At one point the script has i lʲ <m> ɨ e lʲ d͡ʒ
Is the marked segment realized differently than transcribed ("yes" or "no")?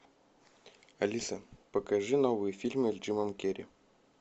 no